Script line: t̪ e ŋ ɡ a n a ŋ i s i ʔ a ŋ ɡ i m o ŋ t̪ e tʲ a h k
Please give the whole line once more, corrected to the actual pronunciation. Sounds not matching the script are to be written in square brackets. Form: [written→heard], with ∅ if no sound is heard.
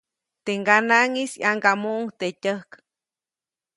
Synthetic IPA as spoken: t̪ e ŋ ɡ a n a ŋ i s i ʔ a ŋ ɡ [i→a] m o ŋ t̪ e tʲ [a→ə] h k

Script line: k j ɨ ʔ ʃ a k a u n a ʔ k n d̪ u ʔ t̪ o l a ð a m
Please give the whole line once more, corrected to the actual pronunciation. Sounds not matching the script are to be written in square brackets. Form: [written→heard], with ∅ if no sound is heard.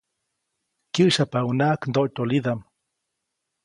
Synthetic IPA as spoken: k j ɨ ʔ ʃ a [k→p] a u n a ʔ k n d̪ [u→o] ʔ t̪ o l [a→i] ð a m

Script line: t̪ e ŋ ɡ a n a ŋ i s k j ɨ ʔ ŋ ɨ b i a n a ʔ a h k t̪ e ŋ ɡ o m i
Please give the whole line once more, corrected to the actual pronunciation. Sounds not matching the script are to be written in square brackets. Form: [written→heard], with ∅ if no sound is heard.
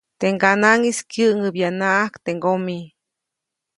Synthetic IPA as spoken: t̪ e ŋ ɡ a n a ŋ i s k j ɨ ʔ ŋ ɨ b [i→j] a n a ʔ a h k t̪ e ŋ ɡ o m i

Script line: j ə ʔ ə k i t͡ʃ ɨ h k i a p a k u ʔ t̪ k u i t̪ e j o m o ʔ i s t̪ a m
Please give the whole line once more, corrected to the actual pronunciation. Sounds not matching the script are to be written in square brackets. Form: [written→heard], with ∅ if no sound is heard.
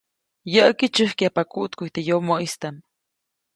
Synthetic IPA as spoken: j ə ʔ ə k i t͡ʃ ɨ h k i a p a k u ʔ t̪ k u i t̪ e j o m o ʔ i s t̪ a m

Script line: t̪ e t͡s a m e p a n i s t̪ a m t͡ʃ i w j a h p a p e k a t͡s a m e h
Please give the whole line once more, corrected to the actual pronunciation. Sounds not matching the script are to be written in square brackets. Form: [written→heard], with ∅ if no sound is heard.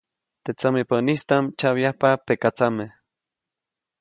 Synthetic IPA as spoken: t̪ e t͡s a m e p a n i s t̪ a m t͡ʃ [i→a] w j a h p a p e k a t͡s a m e h

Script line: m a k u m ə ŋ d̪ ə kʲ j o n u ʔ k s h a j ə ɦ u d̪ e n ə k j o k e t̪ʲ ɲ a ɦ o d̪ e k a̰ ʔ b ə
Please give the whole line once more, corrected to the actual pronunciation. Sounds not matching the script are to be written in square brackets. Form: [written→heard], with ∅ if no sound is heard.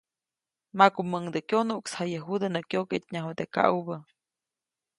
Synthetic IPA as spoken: m a k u m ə ŋ d̪ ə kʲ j o n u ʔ k s h a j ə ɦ u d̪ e n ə k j o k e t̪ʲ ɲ a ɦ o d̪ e k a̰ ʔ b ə

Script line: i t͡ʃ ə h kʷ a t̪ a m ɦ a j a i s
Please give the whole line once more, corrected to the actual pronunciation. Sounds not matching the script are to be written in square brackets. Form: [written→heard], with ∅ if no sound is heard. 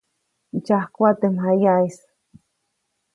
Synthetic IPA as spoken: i t͡ʃ [ə→a] h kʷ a t̪ [a→e] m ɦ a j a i s

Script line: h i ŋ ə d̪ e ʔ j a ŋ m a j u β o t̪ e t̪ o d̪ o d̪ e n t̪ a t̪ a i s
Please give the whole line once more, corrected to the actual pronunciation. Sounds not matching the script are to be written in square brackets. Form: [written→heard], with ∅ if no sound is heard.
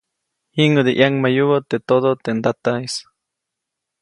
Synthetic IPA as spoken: h i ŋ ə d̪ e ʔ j a ŋ m a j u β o t̪ e t̪ o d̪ o [d̪→t̪] e n [t̪→d̪] a t̪ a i s

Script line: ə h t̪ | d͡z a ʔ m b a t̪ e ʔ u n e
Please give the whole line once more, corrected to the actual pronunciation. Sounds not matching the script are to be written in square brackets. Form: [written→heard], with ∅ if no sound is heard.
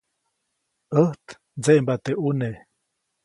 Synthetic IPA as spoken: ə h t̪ | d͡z [a→e] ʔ m b a t̪ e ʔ u n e

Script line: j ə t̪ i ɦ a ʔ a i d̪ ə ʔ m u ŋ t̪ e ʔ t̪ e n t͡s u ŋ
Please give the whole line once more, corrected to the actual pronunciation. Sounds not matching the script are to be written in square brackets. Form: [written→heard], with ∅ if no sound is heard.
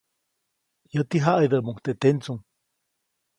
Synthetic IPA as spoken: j ə t̪ i ɦ a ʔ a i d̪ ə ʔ m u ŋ t̪ e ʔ t̪ e n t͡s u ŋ

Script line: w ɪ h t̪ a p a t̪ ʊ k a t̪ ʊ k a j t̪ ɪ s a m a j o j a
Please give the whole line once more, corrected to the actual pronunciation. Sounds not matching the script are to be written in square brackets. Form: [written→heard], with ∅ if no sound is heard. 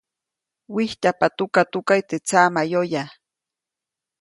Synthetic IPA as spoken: w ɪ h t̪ a p a t̪ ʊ k a t̪ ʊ k a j t̪ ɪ [s→t͡s] a m a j o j a

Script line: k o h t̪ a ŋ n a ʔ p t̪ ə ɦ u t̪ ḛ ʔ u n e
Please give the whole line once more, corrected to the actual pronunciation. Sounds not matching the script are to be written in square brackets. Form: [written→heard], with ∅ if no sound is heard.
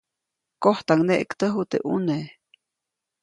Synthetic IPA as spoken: k o h t̪ a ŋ n [a→e] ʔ [p→k] t̪ ə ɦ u t̪ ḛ ʔ u n e

